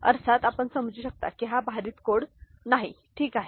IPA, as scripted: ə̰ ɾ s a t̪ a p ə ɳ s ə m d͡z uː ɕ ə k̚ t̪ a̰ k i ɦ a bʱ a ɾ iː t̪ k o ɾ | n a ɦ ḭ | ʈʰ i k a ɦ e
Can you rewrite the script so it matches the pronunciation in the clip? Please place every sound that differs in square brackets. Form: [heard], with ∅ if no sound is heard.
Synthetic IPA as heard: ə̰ ɾ s a t̪ a p ə ɳ s ə m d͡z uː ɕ ə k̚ t̪ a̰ k i ɦ a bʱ a ɾ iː t̪ k o [ɽ] | n a ɦ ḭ | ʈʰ [iː] k a ɦ e